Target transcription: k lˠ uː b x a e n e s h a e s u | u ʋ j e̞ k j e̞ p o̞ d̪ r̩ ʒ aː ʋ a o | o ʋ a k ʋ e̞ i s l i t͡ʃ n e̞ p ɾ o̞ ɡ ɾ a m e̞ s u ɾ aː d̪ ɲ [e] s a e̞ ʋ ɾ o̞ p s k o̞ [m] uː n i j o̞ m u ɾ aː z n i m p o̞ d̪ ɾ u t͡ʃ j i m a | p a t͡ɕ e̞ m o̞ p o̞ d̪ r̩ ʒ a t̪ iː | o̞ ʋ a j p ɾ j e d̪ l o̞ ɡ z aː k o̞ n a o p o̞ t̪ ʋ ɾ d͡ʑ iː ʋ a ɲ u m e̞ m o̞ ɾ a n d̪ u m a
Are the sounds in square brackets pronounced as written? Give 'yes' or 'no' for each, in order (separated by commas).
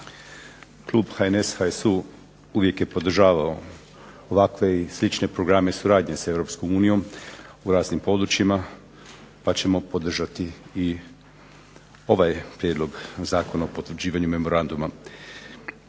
yes, yes